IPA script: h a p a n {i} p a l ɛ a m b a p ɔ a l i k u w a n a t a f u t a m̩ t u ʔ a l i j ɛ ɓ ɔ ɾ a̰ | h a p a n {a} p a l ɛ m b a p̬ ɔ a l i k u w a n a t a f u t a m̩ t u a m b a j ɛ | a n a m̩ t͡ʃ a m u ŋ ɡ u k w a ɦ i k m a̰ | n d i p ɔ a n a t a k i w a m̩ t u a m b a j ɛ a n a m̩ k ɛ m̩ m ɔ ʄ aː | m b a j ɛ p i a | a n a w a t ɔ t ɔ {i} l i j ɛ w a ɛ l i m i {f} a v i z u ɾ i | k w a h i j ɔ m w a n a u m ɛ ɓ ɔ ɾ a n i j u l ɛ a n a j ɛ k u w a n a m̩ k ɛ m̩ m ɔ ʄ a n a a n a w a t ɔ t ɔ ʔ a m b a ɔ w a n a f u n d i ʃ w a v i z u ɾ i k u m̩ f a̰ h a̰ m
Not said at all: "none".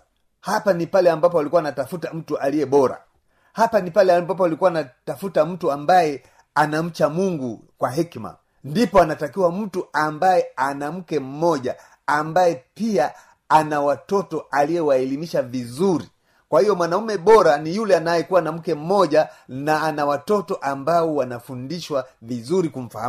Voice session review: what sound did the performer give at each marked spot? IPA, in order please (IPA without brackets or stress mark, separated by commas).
i, i, a, ʃ